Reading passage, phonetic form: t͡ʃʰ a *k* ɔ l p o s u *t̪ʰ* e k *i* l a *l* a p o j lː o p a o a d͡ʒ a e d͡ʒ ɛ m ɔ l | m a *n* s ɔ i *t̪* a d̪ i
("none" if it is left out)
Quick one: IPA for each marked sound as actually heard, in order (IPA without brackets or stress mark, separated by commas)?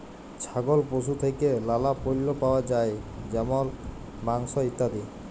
ɡ, t̪ʰ, e, l, ŋ, t̪